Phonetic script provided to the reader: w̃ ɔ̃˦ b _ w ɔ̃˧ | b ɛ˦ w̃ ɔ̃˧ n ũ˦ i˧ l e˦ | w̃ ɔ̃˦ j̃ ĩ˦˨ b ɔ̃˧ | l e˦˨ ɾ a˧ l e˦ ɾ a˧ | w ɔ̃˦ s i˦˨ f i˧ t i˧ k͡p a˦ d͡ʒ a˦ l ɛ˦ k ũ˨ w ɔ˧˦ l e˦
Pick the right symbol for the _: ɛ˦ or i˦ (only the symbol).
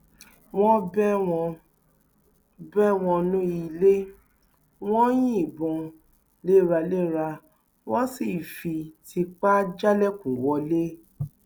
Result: ɛ˦